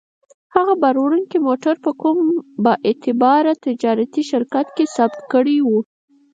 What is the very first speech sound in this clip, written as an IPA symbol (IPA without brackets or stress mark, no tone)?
h